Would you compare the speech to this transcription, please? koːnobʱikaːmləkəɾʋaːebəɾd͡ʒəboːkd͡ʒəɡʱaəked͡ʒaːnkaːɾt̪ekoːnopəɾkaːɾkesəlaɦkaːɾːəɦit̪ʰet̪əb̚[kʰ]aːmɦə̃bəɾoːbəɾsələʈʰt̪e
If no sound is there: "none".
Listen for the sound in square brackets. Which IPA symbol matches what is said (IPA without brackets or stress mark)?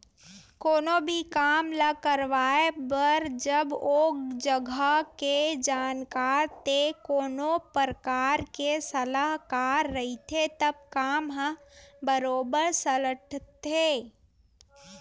k